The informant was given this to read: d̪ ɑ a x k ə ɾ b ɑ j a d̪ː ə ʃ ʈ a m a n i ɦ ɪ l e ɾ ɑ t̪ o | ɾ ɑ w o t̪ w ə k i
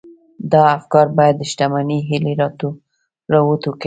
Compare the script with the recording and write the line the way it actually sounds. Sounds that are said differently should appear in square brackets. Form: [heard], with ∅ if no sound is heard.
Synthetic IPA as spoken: d̪ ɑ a [f] k [ɑ] ɾ b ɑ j a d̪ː ə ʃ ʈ a m a n i ɦ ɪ l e ɾ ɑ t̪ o | ɾ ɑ w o t̪ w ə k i